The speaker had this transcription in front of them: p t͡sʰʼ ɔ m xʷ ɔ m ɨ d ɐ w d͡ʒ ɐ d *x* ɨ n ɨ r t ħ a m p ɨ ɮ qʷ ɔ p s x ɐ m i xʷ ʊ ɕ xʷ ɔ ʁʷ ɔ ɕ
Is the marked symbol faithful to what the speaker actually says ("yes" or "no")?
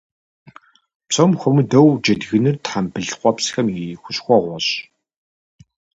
no